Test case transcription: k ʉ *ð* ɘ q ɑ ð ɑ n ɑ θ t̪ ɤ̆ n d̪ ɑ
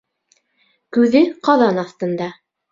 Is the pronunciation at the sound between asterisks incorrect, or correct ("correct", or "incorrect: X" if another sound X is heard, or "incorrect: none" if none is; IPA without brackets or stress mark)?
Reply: correct